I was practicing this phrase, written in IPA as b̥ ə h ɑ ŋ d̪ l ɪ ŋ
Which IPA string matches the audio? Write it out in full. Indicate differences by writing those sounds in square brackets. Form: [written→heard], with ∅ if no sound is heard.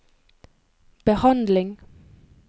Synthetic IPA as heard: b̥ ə h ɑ [ŋ→n] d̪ l ɪ ŋ